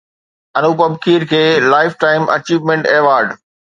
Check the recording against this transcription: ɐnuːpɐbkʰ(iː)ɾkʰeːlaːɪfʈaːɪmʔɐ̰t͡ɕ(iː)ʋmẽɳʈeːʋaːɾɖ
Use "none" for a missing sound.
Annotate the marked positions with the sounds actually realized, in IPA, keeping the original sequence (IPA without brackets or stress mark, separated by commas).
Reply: iː, iː